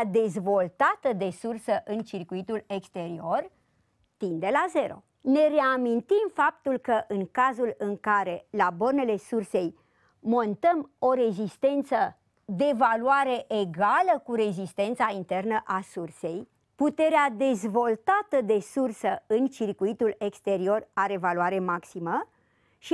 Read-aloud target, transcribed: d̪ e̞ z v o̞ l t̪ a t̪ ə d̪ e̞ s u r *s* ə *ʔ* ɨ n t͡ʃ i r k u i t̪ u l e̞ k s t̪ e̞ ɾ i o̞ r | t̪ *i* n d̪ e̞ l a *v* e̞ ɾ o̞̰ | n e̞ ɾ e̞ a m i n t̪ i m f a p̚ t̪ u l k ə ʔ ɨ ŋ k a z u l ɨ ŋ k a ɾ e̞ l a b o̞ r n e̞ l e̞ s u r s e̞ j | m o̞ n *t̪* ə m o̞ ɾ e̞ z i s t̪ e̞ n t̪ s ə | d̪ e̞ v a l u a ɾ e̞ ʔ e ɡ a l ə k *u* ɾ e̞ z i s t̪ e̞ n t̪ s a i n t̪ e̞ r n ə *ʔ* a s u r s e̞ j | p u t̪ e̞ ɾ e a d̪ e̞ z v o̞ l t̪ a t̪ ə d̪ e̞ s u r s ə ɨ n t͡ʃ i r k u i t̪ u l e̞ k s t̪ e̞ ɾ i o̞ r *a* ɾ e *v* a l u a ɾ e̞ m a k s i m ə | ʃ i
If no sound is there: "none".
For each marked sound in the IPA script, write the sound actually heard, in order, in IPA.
s, ʔ, i, z, t̪, u, ʔ, a, v

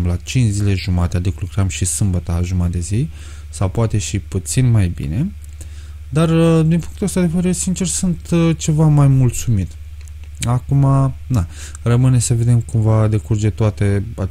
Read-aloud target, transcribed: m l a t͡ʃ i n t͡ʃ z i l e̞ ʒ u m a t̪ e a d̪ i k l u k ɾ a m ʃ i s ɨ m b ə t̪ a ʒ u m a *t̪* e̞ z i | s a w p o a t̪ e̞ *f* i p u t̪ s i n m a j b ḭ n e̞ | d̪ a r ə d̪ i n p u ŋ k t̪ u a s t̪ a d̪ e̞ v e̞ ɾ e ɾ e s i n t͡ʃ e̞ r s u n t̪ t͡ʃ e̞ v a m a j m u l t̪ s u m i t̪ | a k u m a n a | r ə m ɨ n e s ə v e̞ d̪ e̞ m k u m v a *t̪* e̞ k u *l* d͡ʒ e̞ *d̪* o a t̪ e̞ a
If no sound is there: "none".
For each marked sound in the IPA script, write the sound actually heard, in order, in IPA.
d̪, ʃ, d̪, r, t̪

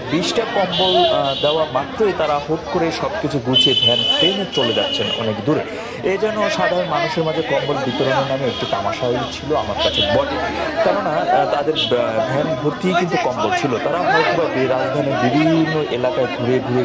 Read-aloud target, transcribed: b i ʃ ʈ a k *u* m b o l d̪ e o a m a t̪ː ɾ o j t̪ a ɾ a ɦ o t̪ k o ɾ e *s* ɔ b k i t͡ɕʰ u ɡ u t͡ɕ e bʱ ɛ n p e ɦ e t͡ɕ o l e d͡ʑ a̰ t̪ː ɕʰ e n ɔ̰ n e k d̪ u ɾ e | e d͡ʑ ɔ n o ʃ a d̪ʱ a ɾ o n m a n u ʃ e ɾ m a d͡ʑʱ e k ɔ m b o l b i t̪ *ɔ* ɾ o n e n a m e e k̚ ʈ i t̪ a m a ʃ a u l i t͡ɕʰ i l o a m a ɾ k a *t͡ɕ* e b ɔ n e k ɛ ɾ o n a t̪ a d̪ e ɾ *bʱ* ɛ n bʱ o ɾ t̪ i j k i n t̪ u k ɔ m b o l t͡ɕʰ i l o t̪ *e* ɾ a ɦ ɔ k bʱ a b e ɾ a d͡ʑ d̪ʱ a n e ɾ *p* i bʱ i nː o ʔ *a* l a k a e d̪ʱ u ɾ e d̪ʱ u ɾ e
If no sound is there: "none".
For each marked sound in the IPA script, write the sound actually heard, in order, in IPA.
ɔ, ʃ, o, t͡ɕʰ, bʱ, a, b, e

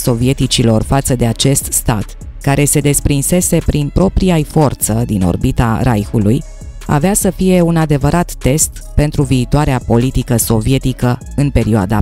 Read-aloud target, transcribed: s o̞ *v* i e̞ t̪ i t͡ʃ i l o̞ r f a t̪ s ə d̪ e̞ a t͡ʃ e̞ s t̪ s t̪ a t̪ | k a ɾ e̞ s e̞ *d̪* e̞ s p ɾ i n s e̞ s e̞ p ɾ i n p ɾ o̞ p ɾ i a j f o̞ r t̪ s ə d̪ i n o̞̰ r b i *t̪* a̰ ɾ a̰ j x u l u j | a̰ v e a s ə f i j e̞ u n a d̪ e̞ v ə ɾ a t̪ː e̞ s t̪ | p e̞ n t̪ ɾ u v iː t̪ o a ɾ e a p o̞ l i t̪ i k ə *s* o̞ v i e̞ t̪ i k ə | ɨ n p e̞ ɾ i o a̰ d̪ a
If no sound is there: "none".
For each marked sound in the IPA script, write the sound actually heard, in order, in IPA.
v, d̪, t̪, s

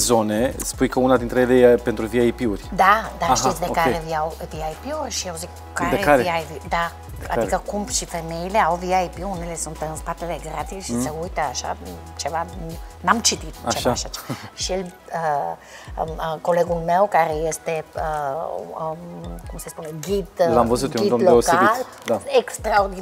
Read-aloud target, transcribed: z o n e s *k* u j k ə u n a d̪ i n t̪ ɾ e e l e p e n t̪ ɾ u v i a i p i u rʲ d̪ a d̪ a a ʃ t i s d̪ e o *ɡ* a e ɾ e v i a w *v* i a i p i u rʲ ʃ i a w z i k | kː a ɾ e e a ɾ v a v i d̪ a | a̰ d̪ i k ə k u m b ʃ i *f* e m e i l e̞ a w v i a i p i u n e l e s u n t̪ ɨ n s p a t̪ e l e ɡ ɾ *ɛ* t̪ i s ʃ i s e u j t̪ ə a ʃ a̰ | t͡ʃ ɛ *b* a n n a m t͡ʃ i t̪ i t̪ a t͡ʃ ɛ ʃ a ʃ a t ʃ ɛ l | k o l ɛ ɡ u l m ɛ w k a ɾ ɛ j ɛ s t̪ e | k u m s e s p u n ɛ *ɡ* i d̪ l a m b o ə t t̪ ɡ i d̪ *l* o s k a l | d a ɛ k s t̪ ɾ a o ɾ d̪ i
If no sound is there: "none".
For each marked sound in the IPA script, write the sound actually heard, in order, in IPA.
p, k, v, f, a, v, ɡ, l

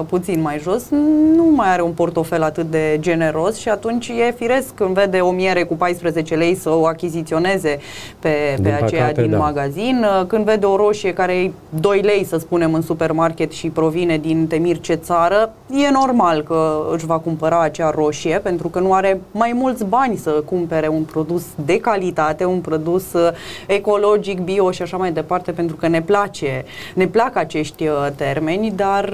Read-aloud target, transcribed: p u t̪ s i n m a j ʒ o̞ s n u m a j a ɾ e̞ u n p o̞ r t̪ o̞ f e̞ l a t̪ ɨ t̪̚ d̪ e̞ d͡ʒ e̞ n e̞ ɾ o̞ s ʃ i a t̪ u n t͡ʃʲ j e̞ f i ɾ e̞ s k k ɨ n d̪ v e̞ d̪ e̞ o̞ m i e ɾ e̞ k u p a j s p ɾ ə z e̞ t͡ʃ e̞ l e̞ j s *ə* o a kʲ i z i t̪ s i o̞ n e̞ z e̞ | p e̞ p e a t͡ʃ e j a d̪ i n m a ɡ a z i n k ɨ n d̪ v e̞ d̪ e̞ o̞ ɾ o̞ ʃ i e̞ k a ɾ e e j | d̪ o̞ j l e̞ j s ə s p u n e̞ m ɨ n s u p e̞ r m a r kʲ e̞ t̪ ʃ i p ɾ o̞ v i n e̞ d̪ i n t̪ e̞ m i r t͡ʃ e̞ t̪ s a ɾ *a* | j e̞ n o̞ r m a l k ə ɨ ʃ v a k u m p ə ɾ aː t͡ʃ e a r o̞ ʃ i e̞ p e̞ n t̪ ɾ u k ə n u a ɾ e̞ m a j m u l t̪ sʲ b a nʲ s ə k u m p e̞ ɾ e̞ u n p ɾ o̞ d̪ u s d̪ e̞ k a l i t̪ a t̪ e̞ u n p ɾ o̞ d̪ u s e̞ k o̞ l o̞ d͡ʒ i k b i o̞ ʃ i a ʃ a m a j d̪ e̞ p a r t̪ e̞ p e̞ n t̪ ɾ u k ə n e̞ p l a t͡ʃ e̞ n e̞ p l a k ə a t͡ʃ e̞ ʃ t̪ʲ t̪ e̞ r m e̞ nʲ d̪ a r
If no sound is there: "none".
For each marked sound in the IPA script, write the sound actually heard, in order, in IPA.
ə, ə

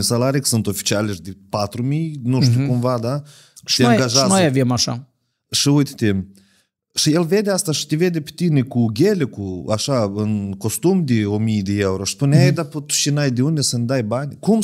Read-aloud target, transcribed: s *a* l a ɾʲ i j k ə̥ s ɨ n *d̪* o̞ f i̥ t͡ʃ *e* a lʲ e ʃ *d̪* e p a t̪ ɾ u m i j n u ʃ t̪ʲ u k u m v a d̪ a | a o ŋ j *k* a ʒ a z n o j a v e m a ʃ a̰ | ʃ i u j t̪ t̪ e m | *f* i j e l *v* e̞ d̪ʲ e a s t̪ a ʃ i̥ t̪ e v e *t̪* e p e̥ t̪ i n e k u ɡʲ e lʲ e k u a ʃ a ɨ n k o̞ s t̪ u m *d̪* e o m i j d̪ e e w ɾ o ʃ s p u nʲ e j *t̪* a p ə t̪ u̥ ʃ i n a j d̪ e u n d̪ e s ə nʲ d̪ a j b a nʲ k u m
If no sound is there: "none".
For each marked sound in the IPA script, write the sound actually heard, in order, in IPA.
a, t̪, i, d̪, ɡ, ʃ, v, d̪, d̪, d̪

